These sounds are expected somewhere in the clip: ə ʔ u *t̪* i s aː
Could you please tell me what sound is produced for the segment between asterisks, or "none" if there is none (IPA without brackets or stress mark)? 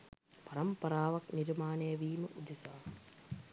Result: d̪